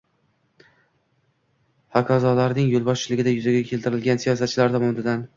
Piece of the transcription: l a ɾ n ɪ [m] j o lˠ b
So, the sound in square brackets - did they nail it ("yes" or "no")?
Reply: no